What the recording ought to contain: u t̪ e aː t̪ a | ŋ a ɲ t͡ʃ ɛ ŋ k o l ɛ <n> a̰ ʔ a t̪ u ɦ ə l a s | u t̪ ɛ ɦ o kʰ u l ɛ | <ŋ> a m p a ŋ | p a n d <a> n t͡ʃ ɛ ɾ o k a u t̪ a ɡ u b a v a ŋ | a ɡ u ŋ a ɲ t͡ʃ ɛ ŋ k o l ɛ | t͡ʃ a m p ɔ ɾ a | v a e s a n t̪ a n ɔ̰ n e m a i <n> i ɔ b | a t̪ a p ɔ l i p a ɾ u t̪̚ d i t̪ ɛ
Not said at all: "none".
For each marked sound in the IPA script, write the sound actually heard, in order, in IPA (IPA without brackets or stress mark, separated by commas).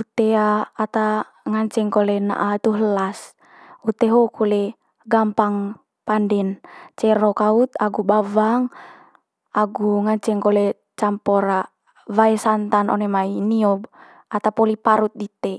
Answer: n, ɡ, ɛ, n